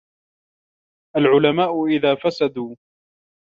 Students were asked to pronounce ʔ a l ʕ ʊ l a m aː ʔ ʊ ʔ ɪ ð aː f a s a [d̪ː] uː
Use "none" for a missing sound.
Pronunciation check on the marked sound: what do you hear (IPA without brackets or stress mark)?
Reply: d̪